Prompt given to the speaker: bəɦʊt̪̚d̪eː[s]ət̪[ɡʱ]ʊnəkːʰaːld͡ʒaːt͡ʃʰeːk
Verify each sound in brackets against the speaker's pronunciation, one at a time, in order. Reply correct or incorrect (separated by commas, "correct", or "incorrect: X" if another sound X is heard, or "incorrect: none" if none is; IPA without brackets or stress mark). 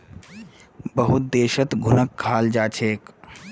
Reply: incorrect: ʃ, correct